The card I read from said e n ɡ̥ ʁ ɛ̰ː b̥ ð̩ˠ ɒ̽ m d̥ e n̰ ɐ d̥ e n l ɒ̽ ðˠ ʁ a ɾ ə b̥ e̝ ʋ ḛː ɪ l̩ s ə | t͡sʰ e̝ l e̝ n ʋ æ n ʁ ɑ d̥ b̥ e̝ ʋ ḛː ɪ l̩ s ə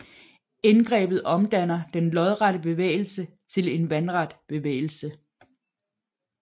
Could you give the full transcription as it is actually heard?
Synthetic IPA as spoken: e n ɡ̥ ʁ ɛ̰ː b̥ ð̩ˠ ɒ̽ m d̥ æ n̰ ɐ d̥ e n l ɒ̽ ðˠ ʁ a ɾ ə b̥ e̝ ʋ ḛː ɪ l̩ s ə | t͡sʰ e̝ l e̝ n ʋ æ n ʁ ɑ d̥ b̥ e̝ ʋ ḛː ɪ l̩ s ə